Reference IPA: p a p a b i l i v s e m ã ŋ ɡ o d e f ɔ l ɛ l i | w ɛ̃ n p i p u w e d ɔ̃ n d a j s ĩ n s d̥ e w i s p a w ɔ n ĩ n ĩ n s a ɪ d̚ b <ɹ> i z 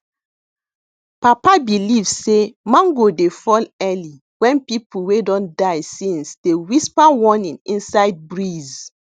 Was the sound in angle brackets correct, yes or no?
yes